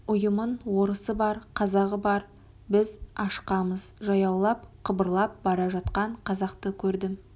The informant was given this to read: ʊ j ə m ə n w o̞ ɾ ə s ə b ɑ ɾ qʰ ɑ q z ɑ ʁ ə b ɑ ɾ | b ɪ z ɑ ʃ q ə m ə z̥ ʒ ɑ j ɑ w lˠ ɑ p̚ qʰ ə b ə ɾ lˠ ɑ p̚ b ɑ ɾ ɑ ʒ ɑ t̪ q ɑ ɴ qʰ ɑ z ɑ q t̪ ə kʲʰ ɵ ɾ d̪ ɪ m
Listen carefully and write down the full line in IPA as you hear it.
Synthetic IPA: ʊ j ə m ə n w o̞ ɾ ə s ə b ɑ ɾ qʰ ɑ z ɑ ʁ ə b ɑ ɾ | b ɪ z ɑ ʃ q ɑ m ə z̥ ʒ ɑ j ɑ w lˠ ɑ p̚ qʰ ə b ə ɾ lˠ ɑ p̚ b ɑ ɾ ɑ ʒ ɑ t̪ q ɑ ɴ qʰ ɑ z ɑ q t̪ ə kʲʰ ɵ ɾ d̪ ɪ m